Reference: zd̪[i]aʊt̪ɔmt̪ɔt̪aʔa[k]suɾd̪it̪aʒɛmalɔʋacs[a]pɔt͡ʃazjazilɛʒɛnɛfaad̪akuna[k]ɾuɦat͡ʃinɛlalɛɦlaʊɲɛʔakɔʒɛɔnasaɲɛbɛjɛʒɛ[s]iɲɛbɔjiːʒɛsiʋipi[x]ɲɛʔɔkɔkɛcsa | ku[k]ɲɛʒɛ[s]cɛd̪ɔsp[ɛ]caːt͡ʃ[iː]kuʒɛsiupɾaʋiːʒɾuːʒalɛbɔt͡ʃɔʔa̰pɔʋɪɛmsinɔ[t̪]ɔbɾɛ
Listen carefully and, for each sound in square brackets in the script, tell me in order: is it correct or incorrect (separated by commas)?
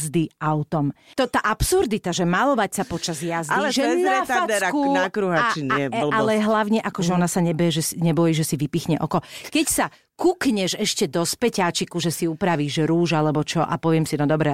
correct, incorrect, correct, correct, correct, correct, correct, incorrect, correct, incorrect, incorrect